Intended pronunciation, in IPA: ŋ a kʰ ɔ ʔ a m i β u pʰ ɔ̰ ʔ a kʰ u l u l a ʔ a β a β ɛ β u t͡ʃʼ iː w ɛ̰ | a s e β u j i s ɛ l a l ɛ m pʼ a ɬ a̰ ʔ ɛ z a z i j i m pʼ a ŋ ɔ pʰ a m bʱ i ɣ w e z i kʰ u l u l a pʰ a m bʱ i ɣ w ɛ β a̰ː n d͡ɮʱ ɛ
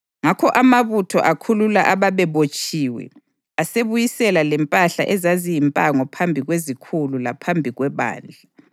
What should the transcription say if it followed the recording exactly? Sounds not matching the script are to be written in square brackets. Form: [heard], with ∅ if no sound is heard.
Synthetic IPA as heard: ŋ a kʰ ɔ ʔ a m [a] β u [tʰ] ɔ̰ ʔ a kʰ u l u l a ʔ a β a β ɛ β [o] t͡ʃʼ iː w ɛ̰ | a s e β u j i s ɛ l a l ɛ m pʼ a ɬ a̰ ʔ ɛ z a z i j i m pʼ a ŋ ɔ pʰ a m bʱ i ɣ w e z i kʰ u l u l a pʰ a m bʱ i ɣ w ɛ β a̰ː n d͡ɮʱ [a]